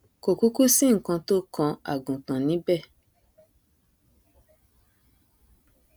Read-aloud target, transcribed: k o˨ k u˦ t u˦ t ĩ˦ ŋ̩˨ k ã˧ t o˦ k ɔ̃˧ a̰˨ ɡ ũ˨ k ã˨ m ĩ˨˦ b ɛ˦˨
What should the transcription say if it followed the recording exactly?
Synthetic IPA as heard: k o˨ k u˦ k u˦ s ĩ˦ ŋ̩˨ k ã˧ t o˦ k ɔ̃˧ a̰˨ ɡ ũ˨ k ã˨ n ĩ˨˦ b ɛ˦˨